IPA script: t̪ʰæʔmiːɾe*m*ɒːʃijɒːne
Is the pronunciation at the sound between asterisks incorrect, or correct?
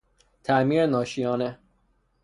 incorrect